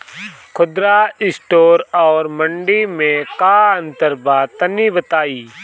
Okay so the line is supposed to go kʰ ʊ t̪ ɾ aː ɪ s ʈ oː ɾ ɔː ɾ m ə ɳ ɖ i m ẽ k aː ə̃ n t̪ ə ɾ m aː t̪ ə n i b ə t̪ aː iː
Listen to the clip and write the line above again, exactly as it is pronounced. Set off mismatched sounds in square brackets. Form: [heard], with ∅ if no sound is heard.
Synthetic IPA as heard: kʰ ʊ [d̪] ɾ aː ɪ s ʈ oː ɾ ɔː ɾ m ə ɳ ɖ i m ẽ k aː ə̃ n t̪ ə ɾ [b] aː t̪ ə n i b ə t̪ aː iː